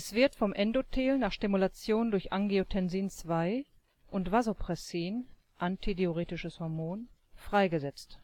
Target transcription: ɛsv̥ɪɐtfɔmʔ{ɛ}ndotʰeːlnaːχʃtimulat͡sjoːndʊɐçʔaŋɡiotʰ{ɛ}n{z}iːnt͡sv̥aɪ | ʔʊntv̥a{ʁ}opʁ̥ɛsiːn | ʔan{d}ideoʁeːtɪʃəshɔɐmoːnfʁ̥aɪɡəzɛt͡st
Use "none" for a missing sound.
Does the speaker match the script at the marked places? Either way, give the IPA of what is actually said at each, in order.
ɛ, ɛ, z, z, t

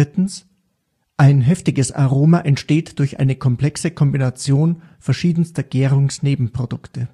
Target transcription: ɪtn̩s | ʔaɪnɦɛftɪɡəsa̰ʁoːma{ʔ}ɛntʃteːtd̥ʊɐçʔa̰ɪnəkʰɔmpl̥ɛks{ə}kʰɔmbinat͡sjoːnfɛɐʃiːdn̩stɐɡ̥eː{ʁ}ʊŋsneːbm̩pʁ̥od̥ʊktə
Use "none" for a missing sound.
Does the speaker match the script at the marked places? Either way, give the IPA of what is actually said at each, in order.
ʔ, ə, ʁ

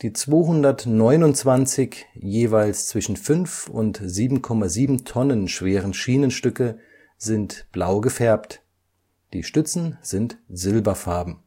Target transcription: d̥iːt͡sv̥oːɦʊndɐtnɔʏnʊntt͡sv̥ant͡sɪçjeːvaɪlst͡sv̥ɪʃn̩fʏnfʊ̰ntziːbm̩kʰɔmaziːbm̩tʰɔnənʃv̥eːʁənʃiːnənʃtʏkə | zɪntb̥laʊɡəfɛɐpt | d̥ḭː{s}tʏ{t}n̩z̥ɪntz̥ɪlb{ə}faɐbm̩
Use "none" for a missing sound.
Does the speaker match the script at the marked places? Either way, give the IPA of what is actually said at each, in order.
ʃ, t͡s, ɐ

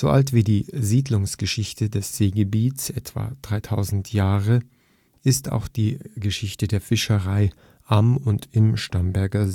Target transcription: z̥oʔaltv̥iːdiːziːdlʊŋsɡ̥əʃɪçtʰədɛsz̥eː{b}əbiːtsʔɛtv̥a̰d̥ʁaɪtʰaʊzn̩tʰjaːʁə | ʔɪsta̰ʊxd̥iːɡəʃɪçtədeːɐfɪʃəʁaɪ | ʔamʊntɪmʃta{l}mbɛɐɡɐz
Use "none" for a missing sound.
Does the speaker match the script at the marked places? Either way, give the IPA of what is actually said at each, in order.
ɡ, none

